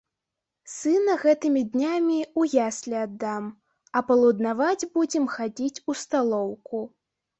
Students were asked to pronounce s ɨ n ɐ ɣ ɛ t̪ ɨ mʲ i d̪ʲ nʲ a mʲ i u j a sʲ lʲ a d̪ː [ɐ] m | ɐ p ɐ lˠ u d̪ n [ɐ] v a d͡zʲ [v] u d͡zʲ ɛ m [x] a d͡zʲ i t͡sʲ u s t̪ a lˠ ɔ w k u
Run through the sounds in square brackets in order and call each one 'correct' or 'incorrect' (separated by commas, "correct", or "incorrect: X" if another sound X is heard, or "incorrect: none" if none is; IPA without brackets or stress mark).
incorrect: a, incorrect: a, incorrect: b, correct